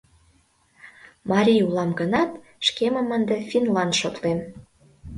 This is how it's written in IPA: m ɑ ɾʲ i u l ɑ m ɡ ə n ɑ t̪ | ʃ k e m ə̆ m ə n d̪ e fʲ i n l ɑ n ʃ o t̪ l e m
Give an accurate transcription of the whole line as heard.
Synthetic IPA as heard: m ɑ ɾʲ i u l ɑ m ɡ ə n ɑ t̪ | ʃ k e m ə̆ m ə n d̪ e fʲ i n l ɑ n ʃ o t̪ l e m